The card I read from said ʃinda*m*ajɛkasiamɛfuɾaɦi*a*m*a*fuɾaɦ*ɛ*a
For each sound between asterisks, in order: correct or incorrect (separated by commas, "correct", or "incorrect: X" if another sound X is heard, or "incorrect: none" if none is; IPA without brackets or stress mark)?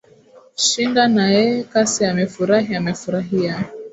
incorrect: n, correct, incorrect: ɛ, incorrect: i